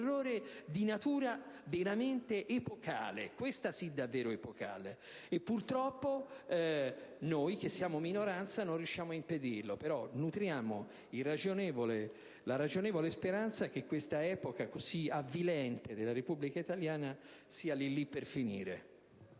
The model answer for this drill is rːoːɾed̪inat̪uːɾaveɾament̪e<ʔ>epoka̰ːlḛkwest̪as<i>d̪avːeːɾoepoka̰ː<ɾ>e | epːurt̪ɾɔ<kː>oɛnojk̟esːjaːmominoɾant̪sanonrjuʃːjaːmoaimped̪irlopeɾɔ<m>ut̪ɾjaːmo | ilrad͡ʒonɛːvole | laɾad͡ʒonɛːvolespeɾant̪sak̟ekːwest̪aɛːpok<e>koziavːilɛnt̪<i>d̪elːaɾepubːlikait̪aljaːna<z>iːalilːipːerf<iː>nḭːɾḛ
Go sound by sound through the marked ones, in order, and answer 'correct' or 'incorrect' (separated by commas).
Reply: correct, correct, incorrect, incorrect, incorrect, incorrect, incorrect, incorrect, incorrect